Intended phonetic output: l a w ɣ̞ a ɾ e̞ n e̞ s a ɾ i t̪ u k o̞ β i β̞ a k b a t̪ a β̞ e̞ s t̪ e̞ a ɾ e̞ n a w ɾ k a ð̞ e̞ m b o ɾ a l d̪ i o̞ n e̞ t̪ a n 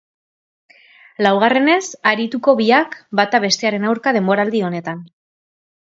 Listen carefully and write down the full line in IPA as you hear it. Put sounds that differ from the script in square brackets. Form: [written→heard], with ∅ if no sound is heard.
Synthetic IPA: l a w ɣ̞ a [ɾ→r] e̞ n e̞ s a ɾ i t̪ u k o̞ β i [β̞→∅] a k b a t̪ a β̞ e̞ s t̪ e̞ a ɾ e̞ n a w ɾ k a ð̞ e̞ m b o ɾ a l d̪ i o̞ n e̞ t̪ a n